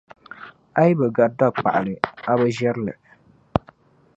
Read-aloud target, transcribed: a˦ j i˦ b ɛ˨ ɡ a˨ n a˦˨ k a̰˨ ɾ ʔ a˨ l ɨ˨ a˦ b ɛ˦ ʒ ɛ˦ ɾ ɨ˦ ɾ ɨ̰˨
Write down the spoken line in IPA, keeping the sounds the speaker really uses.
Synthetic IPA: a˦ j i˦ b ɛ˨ ɡ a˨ d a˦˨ k͡p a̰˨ ʔ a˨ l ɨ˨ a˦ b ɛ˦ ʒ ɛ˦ ɾ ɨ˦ l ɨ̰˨

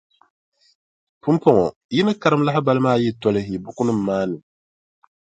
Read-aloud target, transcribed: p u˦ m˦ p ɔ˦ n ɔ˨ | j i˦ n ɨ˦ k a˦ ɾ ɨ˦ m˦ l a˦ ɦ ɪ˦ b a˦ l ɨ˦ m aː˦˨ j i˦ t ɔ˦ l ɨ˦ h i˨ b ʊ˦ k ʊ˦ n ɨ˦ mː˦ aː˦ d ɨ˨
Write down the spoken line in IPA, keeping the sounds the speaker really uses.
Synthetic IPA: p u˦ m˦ p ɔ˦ ŋ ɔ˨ | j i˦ n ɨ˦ k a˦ ɾ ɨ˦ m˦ l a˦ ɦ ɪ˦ b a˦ l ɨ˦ m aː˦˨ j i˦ t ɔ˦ l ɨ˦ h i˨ b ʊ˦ k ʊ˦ n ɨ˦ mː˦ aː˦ n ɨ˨

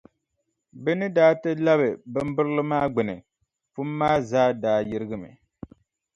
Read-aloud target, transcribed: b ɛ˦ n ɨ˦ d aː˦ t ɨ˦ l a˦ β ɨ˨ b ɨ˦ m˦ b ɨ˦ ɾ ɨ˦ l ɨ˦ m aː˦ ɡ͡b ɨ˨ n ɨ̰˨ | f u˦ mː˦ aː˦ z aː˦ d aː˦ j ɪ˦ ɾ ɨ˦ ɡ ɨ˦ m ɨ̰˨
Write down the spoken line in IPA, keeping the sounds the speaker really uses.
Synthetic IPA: b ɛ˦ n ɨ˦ d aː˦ t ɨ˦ l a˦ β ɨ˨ b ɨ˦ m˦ b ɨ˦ ɾ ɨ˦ l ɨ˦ m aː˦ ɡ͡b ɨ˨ n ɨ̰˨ | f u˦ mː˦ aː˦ z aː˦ d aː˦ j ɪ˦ ɾ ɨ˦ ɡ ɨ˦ m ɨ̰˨

